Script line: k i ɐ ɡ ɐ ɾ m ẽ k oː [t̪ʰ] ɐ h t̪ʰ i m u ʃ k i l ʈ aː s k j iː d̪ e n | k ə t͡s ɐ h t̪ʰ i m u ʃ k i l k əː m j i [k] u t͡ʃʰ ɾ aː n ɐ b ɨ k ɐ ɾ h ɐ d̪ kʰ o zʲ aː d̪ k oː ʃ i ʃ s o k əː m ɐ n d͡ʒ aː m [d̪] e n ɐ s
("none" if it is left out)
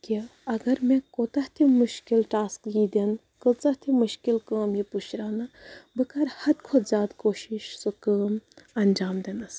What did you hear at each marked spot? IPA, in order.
t̪, p, d̪

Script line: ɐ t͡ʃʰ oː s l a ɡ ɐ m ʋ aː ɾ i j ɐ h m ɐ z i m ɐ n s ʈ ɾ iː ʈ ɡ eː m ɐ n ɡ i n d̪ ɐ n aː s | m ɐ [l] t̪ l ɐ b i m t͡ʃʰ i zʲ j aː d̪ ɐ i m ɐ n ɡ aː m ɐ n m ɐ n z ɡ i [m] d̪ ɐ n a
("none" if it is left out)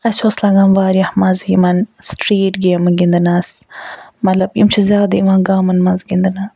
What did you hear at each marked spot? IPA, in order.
none, n

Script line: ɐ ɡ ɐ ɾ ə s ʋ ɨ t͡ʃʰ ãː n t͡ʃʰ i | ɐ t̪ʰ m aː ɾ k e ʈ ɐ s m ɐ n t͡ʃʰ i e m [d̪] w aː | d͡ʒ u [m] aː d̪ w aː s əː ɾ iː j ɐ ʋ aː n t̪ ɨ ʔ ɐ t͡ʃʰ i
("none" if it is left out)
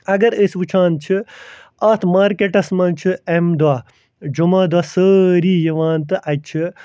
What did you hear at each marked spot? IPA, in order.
d̪, m

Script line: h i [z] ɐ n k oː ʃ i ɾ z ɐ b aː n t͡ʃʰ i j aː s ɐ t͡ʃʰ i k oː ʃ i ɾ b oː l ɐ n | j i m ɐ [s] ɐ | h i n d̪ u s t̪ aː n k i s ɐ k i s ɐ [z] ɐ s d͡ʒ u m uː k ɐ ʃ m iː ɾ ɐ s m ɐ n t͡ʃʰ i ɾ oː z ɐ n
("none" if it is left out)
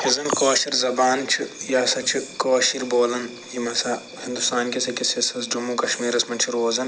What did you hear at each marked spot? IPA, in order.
z, s, s

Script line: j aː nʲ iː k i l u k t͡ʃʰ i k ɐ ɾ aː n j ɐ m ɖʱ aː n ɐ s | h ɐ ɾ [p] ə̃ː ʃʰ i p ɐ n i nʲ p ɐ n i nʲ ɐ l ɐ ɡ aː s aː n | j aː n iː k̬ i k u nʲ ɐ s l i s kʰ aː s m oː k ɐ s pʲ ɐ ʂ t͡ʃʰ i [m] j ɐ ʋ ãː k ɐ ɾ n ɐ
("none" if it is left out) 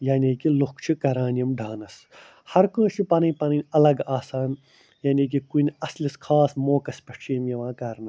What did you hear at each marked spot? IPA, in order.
k, m

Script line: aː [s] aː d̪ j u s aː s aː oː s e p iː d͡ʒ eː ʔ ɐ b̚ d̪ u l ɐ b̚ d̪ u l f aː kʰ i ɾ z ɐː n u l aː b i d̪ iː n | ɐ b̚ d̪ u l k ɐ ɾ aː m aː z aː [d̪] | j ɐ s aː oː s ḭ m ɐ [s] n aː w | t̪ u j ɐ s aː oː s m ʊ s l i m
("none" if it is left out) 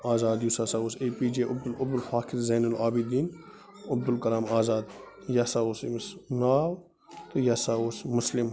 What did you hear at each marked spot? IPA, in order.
z, d̪, s

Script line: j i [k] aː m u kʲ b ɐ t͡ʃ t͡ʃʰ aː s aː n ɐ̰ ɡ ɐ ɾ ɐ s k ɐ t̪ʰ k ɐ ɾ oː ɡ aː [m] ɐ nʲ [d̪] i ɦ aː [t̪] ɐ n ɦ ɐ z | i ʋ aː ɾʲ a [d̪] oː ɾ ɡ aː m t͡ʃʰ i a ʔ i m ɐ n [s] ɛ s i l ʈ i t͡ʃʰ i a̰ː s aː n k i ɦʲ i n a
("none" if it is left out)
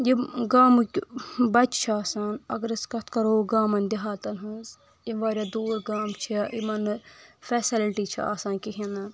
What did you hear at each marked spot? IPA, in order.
ɡ, m, d̪, t̪, d̪, f

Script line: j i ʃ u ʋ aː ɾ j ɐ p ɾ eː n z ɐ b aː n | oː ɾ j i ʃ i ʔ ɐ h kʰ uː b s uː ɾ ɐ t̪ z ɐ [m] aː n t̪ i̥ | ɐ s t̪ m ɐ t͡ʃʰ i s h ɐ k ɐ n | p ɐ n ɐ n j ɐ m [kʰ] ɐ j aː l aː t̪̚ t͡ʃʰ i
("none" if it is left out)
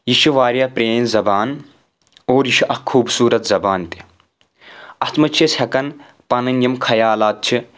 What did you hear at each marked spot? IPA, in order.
b, kʰ

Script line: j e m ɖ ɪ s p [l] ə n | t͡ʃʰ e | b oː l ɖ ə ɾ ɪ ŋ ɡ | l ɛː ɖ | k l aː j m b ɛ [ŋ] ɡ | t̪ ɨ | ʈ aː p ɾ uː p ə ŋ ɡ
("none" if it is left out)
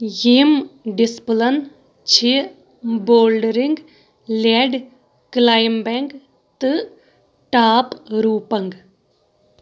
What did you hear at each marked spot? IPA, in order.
l, ŋ

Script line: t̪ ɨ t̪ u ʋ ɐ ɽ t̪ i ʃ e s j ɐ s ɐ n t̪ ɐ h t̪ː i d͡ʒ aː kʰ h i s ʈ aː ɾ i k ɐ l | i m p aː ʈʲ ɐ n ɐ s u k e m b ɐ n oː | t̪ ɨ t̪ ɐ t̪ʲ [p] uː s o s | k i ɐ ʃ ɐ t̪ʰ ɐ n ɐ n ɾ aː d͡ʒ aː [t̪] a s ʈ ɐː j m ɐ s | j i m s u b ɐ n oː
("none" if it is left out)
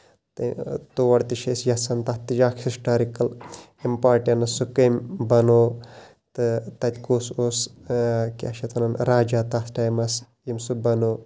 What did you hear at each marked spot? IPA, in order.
k, t̪

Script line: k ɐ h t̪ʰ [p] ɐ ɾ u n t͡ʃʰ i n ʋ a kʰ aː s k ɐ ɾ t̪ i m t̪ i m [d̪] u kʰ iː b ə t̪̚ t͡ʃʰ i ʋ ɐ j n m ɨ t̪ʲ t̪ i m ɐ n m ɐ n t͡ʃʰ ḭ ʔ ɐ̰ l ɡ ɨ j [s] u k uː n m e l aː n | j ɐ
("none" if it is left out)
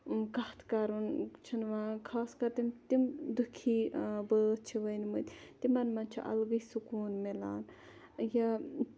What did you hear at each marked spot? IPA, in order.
k, d̪, s

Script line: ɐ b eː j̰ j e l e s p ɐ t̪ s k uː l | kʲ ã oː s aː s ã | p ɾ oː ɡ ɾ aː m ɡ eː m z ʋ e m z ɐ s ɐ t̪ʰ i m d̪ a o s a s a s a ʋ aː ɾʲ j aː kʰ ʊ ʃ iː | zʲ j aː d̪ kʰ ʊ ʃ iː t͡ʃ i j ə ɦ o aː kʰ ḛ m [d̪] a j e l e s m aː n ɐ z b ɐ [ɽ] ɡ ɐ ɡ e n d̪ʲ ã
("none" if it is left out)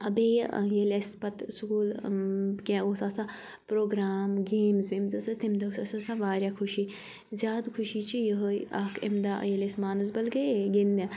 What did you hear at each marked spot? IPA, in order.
d̪, l

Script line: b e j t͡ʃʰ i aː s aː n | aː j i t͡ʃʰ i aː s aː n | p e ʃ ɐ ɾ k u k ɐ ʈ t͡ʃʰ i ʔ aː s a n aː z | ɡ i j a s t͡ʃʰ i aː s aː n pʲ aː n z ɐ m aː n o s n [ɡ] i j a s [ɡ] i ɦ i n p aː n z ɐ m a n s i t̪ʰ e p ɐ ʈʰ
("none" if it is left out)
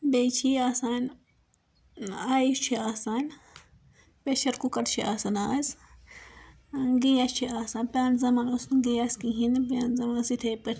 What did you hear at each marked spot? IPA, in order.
ɡ, k

